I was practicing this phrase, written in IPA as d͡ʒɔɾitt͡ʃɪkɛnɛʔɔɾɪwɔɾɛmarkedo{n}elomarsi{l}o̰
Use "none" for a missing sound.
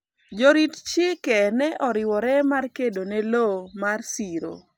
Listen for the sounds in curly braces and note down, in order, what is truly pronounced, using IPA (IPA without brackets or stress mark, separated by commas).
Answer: n, ɾ